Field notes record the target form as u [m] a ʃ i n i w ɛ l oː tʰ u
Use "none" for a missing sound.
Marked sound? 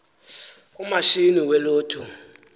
m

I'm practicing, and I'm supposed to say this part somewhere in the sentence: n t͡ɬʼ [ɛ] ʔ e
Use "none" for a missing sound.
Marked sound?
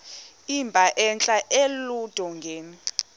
a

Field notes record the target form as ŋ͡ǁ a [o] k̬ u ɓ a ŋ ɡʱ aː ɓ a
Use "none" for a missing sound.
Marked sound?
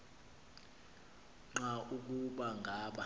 u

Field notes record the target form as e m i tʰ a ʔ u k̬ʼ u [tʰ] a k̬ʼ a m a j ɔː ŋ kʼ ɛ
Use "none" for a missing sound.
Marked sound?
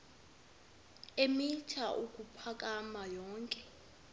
pʰ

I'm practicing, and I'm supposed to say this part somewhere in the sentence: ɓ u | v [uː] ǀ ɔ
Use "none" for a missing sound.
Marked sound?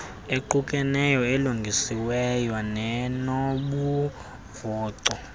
ɔː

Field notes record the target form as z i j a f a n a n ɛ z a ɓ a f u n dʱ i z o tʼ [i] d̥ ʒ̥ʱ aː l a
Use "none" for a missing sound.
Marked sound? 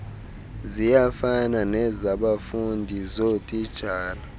i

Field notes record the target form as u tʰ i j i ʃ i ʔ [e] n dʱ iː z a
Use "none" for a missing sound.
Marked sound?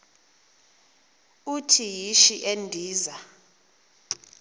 e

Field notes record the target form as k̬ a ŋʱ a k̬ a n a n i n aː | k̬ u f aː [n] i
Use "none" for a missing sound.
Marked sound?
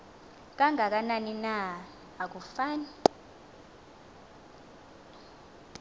n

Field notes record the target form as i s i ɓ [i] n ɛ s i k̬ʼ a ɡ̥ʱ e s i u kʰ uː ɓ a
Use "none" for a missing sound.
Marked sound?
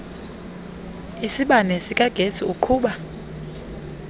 a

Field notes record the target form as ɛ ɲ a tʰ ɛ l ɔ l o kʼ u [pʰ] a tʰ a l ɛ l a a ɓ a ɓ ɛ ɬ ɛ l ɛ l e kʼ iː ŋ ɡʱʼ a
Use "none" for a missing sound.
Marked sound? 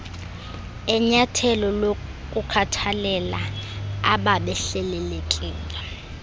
kʰ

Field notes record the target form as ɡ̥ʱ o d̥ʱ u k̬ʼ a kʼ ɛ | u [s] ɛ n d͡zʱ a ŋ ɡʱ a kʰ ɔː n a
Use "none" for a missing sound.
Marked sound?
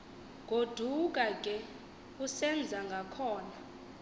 s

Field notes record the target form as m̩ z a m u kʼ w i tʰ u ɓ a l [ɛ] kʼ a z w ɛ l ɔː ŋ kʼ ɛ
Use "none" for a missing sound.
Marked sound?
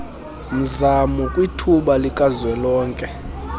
i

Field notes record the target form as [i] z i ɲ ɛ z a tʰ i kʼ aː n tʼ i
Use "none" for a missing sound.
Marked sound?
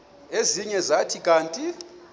e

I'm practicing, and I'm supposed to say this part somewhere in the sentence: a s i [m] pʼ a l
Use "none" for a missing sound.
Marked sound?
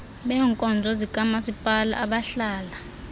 none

